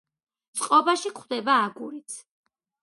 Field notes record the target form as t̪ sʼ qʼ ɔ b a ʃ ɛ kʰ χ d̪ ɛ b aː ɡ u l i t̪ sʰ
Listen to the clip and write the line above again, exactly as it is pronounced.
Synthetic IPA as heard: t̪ sʼ qʼ ɔ b a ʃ i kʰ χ d̪ ɛ b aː ɡ u ɾ i t̪ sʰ